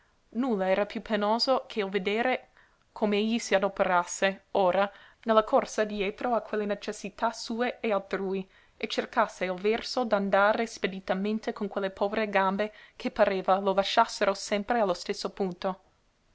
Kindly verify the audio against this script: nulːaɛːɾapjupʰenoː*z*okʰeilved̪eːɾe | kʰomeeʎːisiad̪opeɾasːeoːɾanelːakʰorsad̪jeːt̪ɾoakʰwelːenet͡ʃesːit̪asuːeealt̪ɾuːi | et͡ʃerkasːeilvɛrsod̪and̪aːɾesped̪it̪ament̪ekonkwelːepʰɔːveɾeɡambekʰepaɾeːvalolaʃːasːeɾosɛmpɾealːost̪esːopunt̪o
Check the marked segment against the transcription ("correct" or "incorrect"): correct